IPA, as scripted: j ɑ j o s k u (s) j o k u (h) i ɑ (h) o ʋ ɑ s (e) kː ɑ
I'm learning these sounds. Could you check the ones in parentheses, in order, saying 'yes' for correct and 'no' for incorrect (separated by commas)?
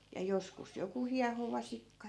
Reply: yes, yes, yes, no